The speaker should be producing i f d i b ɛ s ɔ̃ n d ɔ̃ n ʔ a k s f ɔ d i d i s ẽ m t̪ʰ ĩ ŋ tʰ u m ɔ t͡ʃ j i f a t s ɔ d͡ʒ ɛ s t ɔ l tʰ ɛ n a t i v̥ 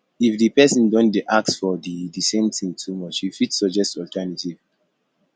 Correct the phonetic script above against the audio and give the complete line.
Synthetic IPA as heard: i f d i p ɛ s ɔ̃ n d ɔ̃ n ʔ a k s f ɔ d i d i s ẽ m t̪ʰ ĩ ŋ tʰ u m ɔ t͡ʃ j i f i t s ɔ d͡ʒ ɛ s t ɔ l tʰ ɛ n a t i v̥